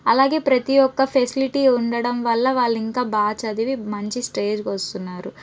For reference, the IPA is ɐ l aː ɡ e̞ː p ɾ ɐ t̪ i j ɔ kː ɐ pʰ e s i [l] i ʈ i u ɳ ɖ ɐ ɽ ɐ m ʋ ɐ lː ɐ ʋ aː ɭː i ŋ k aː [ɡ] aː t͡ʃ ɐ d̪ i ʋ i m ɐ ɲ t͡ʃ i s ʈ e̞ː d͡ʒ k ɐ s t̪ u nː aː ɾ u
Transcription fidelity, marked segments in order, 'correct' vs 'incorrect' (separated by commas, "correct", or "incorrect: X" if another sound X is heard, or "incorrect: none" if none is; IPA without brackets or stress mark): correct, incorrect: b